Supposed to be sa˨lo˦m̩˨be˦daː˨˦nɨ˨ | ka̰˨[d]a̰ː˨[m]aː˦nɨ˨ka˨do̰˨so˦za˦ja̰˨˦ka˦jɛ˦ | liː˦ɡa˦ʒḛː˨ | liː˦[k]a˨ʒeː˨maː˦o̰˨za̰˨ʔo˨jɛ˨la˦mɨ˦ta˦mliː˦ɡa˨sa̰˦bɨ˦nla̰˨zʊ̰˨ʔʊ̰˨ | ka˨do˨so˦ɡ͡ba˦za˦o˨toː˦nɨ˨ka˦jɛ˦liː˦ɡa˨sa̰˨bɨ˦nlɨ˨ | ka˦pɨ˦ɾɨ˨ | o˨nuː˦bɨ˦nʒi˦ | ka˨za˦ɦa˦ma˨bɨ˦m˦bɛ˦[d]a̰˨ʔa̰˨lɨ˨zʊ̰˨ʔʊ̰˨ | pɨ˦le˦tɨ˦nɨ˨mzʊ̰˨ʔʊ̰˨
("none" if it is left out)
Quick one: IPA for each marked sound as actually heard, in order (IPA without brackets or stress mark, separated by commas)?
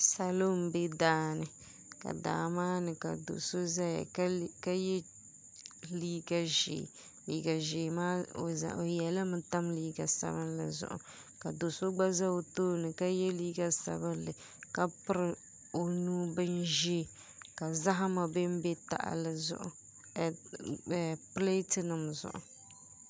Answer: d, m, ɡ, t